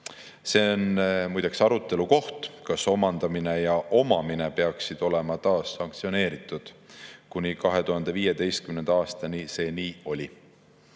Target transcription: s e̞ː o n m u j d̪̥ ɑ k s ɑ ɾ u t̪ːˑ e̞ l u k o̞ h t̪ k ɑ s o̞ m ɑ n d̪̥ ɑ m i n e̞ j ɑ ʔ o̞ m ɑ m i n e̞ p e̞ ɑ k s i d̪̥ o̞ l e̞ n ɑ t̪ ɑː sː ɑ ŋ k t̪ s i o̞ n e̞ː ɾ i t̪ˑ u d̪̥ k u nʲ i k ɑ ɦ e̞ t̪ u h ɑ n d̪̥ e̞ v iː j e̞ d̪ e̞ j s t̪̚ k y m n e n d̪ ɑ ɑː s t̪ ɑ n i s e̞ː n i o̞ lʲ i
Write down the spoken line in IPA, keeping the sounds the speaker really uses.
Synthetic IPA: s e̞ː o n m u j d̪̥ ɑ k s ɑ ɾ u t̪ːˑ e̞ l u k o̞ h t̪ k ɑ s o̞ m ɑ n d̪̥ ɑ m i n e̞ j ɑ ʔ o̞ m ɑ m i n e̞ p e̞ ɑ k s i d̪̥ o̞ l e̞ m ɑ t̪ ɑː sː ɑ ŋ k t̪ s i o̞ n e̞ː ɾ i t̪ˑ u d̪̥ k u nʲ i k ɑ ɦ e̞ t̪ u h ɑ n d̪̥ e̞ v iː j e̞ d̪ e̞ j s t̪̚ k y m n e n d̪ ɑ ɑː s t̪ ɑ n i s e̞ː n iː o̞ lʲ i